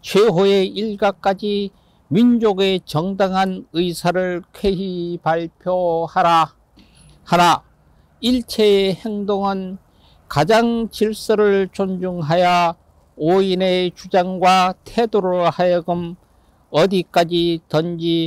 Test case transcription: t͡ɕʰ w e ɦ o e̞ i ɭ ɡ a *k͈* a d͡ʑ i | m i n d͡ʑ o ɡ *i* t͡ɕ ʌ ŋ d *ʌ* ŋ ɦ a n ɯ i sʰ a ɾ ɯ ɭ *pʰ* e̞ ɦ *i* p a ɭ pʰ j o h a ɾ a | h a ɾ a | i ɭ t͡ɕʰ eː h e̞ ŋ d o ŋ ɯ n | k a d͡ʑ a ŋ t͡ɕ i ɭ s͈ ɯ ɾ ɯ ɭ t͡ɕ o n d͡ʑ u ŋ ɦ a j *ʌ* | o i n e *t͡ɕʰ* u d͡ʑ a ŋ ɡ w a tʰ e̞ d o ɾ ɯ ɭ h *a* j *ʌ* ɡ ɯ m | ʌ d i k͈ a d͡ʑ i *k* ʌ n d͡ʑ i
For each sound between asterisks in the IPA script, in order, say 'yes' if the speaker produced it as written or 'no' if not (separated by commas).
yes, no, no, no, yes, no, no, yes, yes, no